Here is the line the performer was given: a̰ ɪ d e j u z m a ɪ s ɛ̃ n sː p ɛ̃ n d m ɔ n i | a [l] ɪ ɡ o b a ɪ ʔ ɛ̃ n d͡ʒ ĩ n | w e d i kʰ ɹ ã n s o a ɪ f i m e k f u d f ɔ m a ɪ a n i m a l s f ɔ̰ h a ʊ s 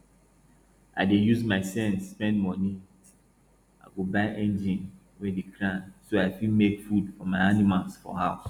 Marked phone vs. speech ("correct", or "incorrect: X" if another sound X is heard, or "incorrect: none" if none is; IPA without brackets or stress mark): incorrect: none